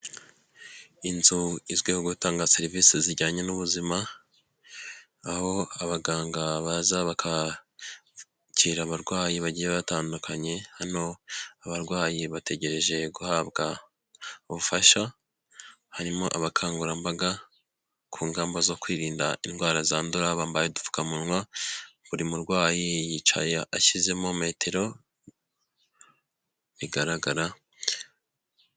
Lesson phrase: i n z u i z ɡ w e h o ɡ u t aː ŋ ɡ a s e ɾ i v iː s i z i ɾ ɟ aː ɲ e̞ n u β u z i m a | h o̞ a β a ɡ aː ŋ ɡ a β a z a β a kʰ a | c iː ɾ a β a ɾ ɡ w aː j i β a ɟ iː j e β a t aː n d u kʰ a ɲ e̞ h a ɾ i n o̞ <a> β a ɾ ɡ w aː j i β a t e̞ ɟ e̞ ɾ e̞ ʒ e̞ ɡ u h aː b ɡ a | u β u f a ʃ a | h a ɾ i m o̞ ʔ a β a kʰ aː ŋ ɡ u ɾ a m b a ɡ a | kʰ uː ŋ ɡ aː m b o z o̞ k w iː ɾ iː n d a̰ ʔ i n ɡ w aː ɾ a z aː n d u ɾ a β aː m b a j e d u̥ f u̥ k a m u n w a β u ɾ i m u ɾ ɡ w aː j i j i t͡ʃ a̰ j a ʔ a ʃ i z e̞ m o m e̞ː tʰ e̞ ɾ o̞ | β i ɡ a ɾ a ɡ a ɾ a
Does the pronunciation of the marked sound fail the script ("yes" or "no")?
no